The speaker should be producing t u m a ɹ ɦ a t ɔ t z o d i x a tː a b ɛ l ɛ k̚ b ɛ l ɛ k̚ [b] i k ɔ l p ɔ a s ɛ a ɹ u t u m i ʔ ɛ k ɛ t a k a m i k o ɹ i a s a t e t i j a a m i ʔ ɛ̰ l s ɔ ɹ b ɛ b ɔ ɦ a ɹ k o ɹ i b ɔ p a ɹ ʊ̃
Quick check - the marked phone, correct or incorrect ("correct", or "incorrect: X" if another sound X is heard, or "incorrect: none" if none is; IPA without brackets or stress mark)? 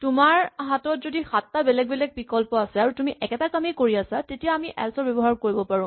incorrect: p